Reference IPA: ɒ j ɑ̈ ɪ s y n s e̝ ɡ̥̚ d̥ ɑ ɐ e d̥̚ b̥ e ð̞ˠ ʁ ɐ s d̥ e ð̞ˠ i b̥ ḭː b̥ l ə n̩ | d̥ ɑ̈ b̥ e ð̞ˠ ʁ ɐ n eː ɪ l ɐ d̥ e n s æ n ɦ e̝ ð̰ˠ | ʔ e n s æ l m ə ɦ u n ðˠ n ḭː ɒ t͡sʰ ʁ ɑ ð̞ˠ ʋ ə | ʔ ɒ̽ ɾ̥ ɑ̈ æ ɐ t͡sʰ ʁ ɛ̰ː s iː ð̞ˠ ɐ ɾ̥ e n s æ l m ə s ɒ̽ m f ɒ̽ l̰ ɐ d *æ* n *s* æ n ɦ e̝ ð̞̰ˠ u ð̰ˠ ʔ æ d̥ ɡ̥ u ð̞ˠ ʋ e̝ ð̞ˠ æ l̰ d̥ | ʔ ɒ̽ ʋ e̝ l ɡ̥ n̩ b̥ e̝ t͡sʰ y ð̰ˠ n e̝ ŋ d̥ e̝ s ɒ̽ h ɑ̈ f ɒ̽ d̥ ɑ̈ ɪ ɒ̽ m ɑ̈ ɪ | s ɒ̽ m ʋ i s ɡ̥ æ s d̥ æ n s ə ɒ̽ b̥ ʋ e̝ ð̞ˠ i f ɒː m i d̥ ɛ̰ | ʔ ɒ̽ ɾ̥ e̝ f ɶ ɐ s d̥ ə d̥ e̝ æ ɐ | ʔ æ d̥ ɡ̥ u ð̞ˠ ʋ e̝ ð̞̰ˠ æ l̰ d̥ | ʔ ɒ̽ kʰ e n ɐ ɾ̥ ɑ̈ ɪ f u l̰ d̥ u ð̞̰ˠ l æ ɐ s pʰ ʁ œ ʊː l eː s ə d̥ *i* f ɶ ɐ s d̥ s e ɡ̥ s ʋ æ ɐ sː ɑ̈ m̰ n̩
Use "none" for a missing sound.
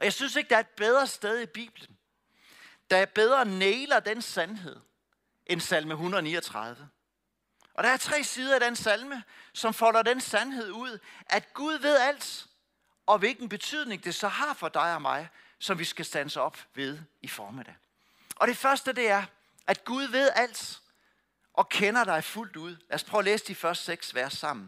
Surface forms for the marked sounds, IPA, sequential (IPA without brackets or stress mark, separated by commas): e, s, i